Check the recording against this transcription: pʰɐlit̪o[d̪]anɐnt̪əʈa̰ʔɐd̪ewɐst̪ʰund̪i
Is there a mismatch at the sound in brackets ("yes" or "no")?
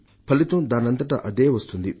no